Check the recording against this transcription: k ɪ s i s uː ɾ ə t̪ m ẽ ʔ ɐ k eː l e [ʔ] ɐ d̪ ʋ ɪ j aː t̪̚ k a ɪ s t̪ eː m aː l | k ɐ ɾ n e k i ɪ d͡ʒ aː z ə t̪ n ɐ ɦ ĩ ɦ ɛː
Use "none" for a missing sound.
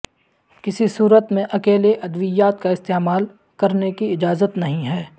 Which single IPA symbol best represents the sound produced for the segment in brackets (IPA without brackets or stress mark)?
ʔ